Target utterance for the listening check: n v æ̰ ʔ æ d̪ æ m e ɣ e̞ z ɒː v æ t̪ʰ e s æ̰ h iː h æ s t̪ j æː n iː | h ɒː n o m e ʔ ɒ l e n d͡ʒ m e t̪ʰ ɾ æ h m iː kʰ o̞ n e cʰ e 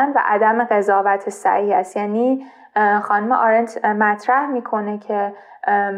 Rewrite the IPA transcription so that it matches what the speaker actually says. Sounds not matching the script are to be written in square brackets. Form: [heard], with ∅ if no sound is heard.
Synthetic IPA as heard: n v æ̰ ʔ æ d̪ æ m e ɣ e̞ z ɒː v æ t̪ʰ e s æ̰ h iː h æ s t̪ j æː n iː | [x] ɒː n [u] m e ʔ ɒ [ɾ] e n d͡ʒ m [æ] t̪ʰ ɾ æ h m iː kʰ o̞ n e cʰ e